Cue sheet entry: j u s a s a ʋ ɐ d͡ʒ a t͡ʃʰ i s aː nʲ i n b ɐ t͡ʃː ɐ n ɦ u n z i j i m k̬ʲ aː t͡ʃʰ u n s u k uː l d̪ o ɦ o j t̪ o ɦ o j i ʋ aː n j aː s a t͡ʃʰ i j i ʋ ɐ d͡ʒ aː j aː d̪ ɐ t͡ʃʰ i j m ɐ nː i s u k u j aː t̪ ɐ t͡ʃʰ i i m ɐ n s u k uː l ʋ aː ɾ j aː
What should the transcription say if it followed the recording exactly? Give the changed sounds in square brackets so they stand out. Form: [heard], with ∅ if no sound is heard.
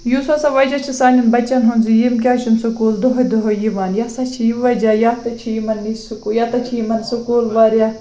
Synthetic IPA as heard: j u s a s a ʋ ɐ d͡ʒ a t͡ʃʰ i s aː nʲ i n b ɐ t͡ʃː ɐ n ɦ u n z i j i m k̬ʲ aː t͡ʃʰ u n s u k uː l d̪ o ɦ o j [d̪] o ɦ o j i ʋ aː n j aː s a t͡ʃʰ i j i ʋ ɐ d͡ʒ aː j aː [t̪] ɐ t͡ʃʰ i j m ɐ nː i s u k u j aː t̪ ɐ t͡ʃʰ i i m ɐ n s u k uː l ʋ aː ɾ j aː